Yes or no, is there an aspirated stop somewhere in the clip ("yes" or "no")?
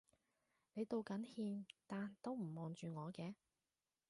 no